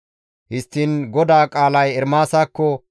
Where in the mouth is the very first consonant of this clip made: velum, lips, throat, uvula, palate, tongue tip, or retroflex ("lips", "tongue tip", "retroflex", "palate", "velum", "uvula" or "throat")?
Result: throat